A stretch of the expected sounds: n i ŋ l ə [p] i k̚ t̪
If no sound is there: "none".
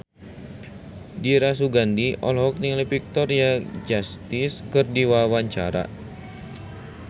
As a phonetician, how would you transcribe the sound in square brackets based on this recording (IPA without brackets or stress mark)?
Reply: p